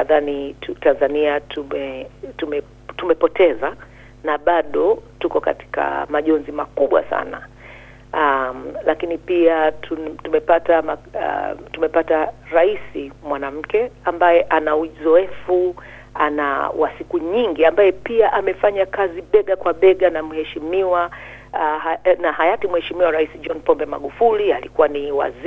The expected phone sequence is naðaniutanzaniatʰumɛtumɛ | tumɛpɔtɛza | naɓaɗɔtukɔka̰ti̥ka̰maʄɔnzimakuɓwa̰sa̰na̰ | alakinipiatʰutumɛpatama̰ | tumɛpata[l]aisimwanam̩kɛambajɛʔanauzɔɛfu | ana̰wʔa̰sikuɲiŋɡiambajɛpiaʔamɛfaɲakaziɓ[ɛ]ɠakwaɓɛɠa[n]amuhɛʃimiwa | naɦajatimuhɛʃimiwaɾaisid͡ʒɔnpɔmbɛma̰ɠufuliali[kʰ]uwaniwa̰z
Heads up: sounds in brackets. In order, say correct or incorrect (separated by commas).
incorrect, correct, correct, incorrect